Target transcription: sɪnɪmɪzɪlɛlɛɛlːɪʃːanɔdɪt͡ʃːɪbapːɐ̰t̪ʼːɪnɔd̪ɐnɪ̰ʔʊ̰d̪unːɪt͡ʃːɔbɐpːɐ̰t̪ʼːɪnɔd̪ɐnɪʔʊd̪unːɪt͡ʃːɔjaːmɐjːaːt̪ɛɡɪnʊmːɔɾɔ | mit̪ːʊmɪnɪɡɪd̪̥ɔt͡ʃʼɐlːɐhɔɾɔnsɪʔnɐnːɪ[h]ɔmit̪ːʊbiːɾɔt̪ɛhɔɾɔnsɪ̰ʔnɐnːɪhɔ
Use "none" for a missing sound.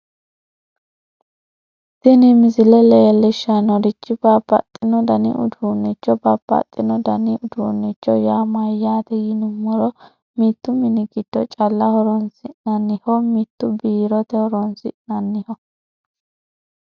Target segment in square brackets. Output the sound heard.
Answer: h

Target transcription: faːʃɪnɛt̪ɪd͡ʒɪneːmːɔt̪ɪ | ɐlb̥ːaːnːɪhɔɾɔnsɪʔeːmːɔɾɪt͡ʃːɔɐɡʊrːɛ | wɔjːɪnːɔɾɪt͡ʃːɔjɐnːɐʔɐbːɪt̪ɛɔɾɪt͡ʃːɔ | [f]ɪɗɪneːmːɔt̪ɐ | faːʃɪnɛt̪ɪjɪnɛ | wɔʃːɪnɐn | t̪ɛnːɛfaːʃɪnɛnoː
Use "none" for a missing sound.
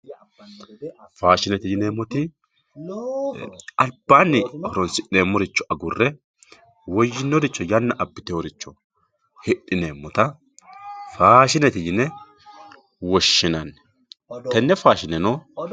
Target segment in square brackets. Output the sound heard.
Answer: h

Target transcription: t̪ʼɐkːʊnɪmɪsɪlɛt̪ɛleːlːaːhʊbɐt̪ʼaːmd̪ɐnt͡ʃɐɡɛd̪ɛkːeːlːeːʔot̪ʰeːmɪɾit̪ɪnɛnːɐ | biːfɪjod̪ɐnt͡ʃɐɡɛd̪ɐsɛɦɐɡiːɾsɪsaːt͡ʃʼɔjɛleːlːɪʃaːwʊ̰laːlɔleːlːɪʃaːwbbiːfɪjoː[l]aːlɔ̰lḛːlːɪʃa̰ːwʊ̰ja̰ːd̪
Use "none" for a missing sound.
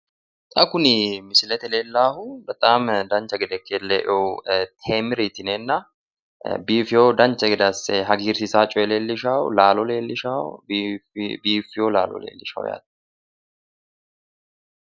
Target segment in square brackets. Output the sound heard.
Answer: l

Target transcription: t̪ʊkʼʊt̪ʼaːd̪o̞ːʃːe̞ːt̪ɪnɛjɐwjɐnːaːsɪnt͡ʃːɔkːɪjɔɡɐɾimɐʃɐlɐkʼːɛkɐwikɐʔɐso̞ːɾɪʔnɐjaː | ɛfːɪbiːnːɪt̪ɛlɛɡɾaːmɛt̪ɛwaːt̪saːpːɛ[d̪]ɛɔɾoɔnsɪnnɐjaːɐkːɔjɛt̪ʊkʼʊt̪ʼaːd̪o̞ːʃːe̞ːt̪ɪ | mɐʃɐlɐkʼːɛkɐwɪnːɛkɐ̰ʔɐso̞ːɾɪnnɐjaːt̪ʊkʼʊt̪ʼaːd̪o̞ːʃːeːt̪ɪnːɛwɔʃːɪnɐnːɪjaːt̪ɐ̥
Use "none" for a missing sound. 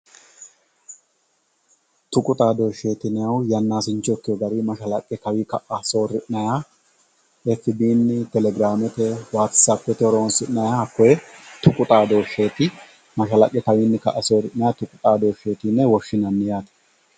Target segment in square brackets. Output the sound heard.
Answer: t̪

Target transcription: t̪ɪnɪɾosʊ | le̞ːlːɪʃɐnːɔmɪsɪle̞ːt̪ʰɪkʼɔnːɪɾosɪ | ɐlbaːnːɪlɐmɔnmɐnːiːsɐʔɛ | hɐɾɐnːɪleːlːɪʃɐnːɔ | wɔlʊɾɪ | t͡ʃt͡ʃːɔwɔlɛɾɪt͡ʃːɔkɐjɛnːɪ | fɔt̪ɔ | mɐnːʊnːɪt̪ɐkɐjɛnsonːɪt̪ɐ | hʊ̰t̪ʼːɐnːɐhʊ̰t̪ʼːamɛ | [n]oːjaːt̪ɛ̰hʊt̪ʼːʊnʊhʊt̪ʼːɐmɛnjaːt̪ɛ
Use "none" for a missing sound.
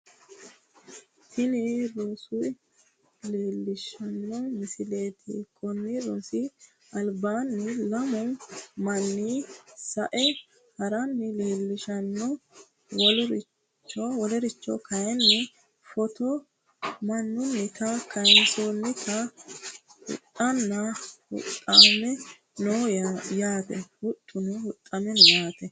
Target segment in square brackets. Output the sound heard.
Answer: n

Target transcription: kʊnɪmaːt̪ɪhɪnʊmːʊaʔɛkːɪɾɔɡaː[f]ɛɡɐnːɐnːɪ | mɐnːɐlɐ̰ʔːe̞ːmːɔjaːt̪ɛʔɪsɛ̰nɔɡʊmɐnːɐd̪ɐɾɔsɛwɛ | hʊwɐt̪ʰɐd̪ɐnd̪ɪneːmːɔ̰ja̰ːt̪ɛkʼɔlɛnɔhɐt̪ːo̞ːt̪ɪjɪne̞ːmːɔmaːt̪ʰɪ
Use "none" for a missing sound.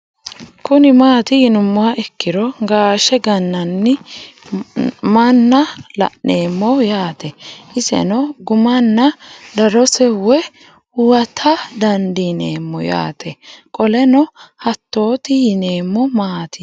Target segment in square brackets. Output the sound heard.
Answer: ʃ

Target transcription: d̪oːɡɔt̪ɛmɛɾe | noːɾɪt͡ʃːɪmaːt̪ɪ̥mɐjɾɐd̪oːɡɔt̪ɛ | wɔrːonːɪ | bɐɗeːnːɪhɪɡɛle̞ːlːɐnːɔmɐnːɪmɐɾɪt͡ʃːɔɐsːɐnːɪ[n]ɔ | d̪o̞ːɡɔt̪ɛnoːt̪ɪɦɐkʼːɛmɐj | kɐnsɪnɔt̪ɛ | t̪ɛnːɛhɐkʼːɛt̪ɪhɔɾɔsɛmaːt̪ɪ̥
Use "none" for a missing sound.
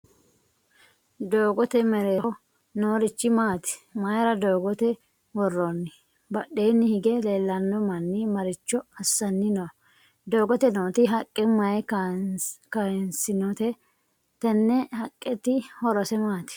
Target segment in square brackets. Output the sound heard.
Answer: n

